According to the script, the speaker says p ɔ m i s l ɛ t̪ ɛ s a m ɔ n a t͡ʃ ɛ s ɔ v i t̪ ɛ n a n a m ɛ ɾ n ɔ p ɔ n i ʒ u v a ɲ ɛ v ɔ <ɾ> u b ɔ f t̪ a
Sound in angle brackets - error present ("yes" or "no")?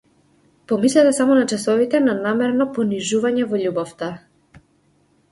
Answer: yes